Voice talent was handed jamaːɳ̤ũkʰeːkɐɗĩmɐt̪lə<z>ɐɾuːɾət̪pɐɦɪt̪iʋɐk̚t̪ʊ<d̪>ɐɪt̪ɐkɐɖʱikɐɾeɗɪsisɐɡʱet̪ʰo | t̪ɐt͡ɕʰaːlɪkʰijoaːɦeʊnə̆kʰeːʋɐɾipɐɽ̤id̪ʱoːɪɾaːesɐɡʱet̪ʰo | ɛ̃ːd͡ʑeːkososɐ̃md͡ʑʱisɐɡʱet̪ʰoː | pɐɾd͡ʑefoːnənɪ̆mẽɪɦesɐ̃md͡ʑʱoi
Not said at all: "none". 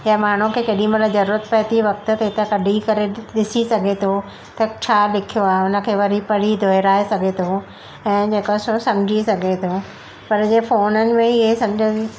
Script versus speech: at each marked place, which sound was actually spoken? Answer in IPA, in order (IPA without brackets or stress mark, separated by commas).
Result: z, t̪